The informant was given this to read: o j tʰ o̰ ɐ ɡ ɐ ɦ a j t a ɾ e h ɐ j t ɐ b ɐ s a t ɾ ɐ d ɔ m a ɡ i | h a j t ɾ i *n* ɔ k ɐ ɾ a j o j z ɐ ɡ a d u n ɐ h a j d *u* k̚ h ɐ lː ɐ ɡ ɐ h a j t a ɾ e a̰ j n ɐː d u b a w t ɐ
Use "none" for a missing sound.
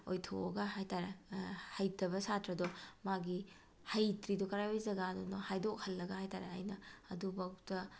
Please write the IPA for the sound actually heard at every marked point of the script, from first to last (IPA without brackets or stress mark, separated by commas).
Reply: d, o